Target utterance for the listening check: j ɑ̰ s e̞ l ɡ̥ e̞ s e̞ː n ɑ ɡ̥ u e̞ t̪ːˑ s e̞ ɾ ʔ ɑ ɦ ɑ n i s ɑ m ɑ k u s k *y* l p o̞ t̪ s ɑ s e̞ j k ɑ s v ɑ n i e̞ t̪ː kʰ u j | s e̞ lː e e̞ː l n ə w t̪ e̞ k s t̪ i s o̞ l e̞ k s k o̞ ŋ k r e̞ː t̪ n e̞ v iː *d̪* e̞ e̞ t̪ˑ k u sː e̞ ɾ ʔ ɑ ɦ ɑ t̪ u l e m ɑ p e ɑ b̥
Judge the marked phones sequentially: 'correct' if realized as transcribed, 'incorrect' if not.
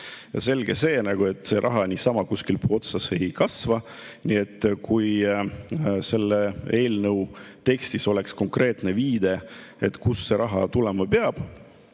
incorrect: i, correct

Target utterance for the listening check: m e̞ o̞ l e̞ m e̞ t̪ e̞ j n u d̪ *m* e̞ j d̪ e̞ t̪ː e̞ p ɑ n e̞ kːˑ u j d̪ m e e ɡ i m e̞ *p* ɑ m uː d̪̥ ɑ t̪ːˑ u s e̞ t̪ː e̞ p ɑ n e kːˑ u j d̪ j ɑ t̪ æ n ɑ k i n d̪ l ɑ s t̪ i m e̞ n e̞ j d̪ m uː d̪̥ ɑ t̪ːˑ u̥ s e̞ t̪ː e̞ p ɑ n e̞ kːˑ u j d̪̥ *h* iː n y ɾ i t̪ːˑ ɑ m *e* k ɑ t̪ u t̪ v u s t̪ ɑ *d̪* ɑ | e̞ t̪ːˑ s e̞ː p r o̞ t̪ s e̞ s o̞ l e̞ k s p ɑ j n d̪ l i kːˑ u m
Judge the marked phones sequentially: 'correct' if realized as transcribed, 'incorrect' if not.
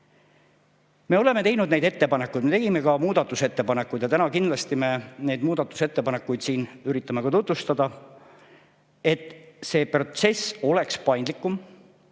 incorrect: n, incorrect: k, incorrect: s, correct, correct

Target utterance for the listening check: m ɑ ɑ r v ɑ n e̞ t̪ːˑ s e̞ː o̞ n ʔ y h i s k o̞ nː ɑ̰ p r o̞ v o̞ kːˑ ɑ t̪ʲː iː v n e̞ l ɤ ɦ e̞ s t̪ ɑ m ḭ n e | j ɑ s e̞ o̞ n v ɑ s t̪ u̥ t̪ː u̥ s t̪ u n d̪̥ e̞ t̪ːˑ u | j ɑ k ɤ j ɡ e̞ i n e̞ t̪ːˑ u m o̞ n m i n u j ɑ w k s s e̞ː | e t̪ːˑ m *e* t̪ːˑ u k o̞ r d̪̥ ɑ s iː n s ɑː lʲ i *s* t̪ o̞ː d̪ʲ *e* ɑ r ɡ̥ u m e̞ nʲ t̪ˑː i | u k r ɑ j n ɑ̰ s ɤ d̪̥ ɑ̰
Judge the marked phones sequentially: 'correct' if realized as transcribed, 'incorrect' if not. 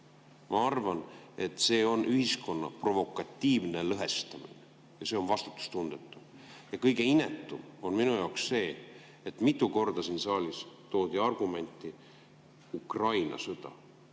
incorrect: i, correct, incorrect: i

